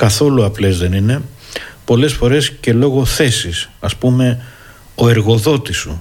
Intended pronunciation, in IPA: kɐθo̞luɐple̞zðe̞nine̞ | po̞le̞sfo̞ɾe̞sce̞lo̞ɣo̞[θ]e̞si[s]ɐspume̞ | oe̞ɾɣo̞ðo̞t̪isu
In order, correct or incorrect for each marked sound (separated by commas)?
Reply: correct, correct